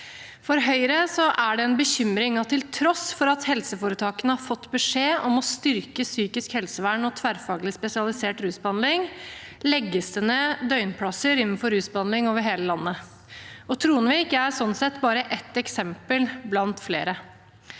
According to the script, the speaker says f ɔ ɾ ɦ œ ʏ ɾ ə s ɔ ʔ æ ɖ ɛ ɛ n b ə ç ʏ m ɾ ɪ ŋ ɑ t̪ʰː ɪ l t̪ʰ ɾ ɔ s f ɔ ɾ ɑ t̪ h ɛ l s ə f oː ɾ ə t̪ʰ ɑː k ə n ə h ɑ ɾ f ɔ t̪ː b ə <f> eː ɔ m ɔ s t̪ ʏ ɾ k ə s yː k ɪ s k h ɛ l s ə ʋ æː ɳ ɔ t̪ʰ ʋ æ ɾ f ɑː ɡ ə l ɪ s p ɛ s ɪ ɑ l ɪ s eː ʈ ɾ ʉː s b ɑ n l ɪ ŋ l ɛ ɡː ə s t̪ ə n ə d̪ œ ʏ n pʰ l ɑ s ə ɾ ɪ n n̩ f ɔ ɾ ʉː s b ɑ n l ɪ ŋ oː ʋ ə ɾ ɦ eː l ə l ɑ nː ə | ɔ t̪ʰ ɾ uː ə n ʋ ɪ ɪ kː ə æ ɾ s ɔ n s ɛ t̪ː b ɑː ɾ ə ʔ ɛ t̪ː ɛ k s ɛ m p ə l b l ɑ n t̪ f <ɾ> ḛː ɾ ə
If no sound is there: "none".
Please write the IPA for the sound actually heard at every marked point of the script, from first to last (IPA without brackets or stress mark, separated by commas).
ʂ, l